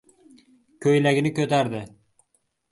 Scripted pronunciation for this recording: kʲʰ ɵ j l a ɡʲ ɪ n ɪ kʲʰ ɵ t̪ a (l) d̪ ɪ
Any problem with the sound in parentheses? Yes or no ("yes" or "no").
yes